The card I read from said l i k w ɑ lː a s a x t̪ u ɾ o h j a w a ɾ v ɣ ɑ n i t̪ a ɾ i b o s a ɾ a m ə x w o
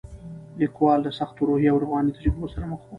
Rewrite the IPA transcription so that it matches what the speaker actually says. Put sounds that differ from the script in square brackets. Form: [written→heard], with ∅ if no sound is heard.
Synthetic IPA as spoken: l i k w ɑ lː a s a x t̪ [u→o] ɾ o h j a w a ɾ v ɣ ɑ n i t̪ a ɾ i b o s a ɾ a m ə x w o